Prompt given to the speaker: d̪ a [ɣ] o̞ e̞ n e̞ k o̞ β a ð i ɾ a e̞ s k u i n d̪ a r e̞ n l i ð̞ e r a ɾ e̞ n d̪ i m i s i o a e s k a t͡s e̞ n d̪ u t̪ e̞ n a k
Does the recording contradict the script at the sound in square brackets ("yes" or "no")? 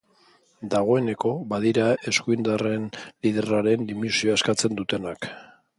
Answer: no